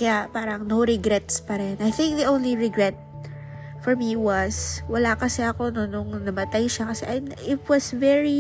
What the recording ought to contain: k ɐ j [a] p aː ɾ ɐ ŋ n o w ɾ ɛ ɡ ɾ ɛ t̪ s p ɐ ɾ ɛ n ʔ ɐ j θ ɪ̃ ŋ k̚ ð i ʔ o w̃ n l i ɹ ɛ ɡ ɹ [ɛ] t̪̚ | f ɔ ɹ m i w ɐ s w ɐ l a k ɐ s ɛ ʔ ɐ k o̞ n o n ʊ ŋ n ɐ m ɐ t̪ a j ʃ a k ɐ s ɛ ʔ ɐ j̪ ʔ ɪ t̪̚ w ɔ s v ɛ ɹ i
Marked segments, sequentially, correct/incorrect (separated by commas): correct, correct